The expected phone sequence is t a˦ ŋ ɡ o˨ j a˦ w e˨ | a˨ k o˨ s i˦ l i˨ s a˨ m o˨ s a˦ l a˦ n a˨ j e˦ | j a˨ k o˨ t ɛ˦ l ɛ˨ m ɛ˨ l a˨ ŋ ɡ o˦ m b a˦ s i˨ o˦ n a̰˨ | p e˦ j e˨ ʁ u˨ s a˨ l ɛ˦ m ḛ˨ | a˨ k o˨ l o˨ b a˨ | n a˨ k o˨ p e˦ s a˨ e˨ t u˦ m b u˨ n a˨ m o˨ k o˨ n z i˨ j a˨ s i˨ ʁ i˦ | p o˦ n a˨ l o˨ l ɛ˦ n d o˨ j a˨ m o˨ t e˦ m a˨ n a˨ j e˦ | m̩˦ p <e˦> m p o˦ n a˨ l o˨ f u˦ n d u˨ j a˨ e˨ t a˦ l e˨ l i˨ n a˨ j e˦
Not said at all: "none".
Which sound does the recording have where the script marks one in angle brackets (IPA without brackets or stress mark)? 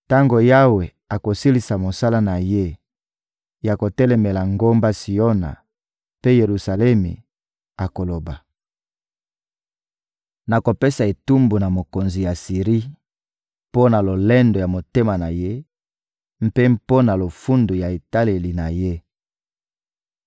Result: e˦